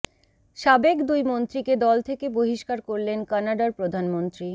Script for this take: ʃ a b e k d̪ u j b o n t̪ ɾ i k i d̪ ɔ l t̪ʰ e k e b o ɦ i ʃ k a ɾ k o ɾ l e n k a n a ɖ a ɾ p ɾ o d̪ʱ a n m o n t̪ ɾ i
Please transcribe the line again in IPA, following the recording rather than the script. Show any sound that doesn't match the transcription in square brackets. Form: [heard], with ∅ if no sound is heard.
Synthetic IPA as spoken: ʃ a b e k d̪ u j [m] o n t̪ ɾ i k [e] d̪ ɔ l t̪ʰ e k e b o ɦ i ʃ k a ɾ k o ɾ l e n k a n a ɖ a ɾ p ɾ o d̪ʱ a n m o n t̪ ɾ i